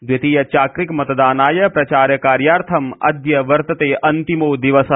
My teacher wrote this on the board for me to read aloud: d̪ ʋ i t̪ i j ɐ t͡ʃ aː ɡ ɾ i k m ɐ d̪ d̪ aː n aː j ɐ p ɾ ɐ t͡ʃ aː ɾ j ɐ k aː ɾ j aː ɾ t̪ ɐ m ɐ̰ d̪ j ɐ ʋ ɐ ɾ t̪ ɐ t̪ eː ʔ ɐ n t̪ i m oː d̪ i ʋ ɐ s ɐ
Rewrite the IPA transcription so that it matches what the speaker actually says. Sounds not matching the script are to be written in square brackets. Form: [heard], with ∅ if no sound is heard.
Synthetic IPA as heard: d̪ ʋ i t̪ i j ɐ t͡ʃ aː [k] ɾ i k m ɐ [t̪] d̪ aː n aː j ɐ p ɾ ɐ t͡ʃ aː ɾ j ɐ k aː ɾ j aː ɾ [t̪ʰ] ɐ m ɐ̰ d̪ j ɐ ʋ ɐ ɾ t̪ ɐ t̪ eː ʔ ɐ n t̪ i m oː d̪ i ʋ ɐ s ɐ